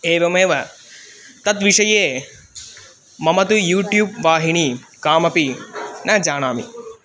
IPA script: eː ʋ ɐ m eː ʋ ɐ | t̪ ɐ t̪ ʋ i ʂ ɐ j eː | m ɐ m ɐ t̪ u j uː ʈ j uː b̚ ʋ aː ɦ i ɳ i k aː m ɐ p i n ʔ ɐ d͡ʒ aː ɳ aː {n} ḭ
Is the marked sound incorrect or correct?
incorrect